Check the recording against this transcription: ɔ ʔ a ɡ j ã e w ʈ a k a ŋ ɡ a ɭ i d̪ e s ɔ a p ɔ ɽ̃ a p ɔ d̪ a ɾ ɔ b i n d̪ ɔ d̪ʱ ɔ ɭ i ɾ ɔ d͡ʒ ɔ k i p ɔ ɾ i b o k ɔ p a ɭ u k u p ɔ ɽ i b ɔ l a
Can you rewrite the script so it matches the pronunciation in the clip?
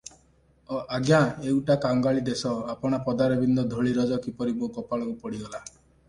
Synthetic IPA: ɔ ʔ a ɡ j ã e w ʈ a k a ŋ ɡ a ɭ i d̪ e s ɔ a p ɔ ɽ̃ a p ɔ d̪ a ɾ ɔ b i n d̪ ɔ d̪ʱ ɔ ɭ i ɾ ɔ d͡ʒ ɔ k i p ɔ ɾ i b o k ɔ p a ɭ ɔ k u p ɔ ɽ i ɡ ɔ l a